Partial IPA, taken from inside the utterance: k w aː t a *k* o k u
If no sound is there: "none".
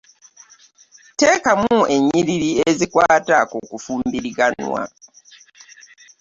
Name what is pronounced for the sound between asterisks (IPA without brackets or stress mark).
k